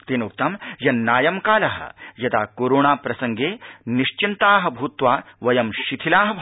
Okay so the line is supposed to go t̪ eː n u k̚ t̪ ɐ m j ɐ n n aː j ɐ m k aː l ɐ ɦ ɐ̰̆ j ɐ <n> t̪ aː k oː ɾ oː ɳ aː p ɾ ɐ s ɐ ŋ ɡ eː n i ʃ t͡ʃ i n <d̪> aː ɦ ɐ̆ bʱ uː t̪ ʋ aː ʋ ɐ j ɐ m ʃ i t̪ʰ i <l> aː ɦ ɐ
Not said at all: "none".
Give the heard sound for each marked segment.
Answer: none, t̪, l

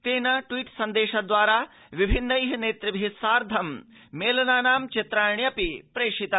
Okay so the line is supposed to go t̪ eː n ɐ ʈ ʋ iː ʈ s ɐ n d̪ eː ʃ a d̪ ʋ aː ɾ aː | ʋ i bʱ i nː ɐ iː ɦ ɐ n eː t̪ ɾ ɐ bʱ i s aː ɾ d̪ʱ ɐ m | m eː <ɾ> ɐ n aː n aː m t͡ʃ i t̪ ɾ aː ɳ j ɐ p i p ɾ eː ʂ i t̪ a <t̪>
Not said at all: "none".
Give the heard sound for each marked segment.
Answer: l, none

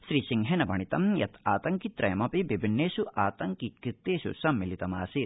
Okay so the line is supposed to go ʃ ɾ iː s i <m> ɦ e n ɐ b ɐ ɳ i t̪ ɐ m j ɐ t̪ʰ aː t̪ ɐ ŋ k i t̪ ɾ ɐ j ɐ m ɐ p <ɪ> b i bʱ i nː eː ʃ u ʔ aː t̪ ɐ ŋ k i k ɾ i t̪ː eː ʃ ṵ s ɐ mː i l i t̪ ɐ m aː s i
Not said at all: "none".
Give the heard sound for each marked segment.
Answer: ŋ, i

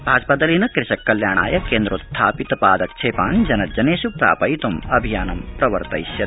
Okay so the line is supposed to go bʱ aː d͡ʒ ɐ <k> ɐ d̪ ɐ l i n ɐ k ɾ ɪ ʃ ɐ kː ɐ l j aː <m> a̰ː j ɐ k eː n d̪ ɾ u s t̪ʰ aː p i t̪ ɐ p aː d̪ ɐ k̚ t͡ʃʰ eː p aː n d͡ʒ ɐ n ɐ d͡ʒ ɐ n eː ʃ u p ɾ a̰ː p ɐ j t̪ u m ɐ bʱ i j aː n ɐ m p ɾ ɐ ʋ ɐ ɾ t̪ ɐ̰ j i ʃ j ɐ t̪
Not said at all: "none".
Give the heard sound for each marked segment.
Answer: p, ɳ

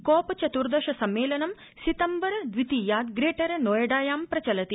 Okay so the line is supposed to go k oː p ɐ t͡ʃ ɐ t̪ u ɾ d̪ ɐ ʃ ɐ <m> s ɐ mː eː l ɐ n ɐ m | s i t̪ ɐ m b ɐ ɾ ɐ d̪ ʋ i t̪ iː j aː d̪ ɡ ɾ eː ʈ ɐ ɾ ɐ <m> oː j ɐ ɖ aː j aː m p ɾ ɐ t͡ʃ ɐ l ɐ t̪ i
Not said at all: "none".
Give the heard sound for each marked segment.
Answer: none, n

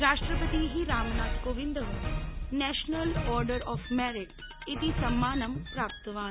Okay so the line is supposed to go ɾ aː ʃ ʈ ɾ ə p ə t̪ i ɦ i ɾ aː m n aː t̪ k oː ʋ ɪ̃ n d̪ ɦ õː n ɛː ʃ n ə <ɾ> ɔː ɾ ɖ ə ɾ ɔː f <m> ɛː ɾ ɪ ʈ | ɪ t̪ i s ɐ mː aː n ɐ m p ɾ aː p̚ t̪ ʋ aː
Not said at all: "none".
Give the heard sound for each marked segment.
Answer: l, m

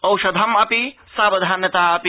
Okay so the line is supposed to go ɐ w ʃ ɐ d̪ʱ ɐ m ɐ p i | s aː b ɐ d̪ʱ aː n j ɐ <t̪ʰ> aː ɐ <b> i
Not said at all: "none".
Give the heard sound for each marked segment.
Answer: t̪, p

